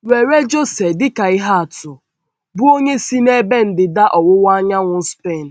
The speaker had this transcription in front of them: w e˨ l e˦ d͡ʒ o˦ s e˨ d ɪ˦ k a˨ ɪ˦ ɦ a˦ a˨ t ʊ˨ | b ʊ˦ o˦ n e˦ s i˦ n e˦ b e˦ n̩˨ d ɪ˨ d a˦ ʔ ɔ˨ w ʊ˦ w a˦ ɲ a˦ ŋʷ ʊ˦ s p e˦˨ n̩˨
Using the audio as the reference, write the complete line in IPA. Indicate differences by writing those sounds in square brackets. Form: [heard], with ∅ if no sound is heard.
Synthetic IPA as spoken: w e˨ [ɾ] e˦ d͡ʒ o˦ s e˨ d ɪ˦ k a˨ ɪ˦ ɦ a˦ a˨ t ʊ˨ | b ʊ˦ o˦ [ɲ] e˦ s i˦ n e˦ b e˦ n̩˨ d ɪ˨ d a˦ ʔ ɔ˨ w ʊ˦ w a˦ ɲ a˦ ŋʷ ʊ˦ s p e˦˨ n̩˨

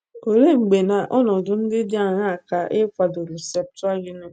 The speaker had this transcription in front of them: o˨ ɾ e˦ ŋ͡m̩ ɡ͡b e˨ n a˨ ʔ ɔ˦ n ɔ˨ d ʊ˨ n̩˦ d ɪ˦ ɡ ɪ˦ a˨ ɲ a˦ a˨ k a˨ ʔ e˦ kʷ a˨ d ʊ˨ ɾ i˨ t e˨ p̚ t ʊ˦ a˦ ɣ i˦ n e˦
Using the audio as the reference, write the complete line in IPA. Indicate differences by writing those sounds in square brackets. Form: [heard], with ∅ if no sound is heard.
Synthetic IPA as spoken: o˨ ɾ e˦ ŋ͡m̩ ɡ͡b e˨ n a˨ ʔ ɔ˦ n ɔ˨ d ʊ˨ n̩˦ d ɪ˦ [d] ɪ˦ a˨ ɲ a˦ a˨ k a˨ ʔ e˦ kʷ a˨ d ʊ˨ ɾ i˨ [s] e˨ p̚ t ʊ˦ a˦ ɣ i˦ n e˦

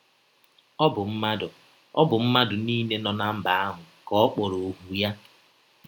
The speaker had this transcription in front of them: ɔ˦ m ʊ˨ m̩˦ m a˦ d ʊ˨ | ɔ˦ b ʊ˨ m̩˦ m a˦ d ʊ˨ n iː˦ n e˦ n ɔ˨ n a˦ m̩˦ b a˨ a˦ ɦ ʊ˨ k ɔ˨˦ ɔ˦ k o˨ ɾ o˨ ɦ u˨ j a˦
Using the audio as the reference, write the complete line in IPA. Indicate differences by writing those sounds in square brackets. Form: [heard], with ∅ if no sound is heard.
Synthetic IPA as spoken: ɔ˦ [b] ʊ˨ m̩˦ m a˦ d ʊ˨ | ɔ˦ b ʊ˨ m̩˦ m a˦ d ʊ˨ n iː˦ n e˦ n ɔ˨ n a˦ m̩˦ b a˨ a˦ ɦ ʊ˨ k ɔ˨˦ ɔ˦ [k͡p] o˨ ɾ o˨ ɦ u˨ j a˦

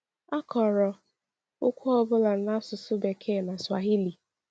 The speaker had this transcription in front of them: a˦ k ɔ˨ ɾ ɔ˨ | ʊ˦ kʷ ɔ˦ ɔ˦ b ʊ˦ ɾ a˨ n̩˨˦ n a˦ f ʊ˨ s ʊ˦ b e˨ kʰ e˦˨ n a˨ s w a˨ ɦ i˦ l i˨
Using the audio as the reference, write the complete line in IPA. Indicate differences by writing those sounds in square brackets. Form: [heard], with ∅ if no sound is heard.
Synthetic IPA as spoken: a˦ k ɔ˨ ɾ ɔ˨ | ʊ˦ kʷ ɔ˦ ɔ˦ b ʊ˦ [l] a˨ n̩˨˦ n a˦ [s] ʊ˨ s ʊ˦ b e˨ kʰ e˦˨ n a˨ s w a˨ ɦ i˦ l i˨

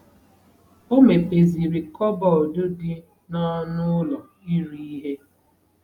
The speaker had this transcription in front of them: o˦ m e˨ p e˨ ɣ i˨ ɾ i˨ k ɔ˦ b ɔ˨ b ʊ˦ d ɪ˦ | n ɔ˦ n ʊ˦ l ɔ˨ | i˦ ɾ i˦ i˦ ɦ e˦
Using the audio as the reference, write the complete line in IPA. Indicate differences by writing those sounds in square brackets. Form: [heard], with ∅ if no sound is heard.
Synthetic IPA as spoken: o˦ m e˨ p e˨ [z] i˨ ɾ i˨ k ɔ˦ b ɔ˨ [d] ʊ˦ d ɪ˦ | n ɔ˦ n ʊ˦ l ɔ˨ | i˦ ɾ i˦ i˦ ɦ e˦

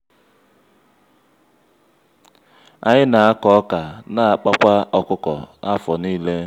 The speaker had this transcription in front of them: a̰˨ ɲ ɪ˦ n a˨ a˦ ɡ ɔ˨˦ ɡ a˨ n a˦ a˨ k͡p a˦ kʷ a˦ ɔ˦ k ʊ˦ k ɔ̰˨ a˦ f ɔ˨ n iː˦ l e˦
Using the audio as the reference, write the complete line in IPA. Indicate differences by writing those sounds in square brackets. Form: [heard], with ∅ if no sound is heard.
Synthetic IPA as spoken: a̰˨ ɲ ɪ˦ n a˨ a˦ [k] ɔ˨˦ [k] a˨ n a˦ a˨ k͡p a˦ kʷ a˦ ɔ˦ k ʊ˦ k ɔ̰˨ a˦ f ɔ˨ n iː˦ l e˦

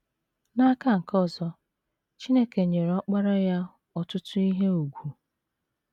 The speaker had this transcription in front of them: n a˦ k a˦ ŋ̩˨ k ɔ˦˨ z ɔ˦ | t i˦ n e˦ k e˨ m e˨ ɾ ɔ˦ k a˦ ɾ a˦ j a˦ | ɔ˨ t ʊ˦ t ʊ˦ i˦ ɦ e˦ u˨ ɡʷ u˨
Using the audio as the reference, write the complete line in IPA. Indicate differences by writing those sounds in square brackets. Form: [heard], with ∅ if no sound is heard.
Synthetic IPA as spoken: n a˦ k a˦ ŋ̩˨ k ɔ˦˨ z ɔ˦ | [t͡ʃ] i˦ n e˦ k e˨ [ɲ] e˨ ɾ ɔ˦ [k͡p] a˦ ɾ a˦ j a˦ | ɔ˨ t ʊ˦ t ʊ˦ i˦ ɦ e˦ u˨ ɡʷ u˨

